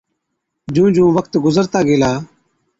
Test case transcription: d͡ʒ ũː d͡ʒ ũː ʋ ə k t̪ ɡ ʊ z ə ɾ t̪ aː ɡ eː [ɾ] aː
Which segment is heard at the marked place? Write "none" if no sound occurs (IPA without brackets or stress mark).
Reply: l